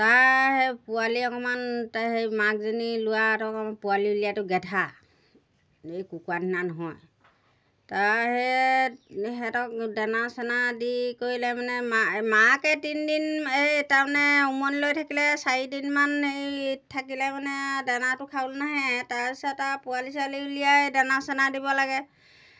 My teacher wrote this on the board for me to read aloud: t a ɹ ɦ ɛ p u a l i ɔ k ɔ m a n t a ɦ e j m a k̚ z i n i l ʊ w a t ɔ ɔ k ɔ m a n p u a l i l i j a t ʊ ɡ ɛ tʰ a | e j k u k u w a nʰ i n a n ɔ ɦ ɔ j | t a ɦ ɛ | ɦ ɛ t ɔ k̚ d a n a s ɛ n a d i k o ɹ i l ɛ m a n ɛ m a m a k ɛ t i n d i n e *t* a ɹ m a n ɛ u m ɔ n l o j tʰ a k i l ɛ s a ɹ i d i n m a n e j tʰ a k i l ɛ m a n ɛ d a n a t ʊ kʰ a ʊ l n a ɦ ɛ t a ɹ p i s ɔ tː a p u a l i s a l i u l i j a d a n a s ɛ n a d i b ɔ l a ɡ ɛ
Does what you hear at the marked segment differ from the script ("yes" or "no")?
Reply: no